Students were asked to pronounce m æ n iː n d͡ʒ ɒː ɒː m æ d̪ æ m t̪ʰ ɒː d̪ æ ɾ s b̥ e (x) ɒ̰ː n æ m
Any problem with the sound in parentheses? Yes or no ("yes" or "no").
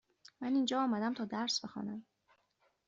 no